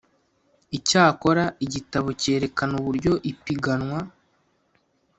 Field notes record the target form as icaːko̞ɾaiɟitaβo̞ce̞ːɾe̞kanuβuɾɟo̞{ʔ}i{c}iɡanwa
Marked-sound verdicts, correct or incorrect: correct, incorrect

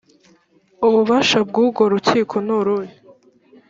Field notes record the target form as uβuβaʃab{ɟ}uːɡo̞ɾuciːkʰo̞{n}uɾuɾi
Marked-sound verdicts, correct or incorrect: incorrect, correct

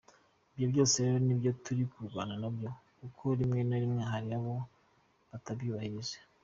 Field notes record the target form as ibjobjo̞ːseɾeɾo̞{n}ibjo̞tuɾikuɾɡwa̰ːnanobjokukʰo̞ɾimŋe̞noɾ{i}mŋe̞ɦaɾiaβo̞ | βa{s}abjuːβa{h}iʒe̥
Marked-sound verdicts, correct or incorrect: correct, correct, incorrect, correct

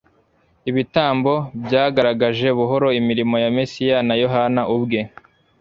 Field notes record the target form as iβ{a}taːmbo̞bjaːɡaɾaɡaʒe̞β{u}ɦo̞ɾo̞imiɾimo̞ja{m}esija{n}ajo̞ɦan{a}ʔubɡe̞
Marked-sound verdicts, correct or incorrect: incorrect, correct, correct, correct, correct

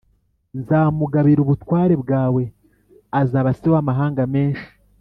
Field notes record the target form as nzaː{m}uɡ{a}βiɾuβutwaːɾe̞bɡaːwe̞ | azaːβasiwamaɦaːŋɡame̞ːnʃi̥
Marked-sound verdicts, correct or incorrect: correct, correct

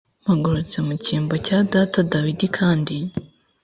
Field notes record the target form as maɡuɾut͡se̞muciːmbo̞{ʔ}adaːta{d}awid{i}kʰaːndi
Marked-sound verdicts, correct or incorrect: incorrect, correct, correct

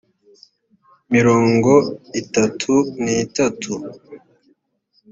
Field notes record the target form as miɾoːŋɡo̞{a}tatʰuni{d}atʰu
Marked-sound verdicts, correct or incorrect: incorrect, incorrect

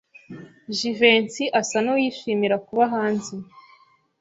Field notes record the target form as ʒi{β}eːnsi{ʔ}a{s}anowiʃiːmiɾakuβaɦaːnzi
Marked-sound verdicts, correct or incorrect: incorrect, correct, correct

